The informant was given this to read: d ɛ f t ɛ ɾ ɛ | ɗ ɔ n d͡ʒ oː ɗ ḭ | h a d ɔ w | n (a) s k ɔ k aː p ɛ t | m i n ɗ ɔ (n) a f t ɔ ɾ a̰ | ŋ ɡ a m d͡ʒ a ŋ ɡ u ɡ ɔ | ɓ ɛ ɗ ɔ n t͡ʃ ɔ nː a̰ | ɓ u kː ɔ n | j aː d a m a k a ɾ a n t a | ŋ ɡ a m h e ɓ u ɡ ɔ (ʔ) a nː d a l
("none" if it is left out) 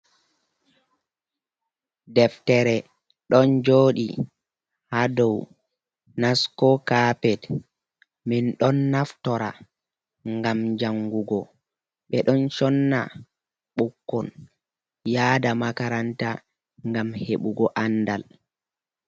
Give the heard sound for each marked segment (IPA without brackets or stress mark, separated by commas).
a, nː, ʔ